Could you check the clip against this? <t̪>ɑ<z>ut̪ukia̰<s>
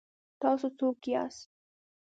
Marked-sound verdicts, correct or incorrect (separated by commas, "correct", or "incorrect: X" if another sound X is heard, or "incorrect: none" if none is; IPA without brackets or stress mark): correct, incorrect: s, correct